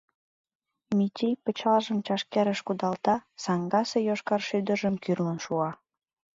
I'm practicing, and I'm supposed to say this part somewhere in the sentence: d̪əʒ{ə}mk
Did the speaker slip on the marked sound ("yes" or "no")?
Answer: no